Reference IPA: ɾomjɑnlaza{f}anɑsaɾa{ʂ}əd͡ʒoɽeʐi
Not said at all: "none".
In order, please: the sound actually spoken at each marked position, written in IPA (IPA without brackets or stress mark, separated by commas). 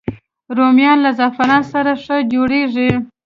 f, ʂ